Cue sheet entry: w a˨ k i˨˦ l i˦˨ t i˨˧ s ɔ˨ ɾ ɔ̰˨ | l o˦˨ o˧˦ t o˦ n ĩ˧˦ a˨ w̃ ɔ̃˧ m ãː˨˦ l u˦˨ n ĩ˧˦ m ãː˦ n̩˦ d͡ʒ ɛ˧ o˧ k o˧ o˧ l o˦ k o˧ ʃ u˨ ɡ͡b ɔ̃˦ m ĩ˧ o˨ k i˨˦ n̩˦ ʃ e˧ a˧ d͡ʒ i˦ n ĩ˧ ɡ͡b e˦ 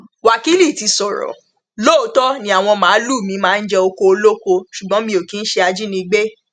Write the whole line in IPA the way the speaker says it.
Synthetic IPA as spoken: w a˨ k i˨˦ l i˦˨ t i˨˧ s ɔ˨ ɾ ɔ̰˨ | l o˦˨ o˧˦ t ɔ˦ n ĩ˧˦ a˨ w̃ ɔ̃˧ m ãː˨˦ l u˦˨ m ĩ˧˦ m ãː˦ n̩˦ d͡ʒ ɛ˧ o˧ k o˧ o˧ l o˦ k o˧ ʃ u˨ ɡ͡b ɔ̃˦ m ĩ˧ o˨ k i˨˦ n̩˦ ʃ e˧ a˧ d͡ʒ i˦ n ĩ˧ ɡ͡b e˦